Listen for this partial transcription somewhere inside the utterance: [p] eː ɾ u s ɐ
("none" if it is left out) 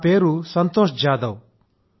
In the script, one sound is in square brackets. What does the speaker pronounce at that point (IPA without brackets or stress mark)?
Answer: p